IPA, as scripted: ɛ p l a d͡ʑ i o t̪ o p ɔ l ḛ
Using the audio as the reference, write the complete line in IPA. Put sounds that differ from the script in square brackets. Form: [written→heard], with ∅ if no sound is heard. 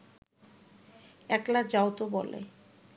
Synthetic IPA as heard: ɛ [p→k] l a d͡ʑ [i→a] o t̪ o [p→b] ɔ l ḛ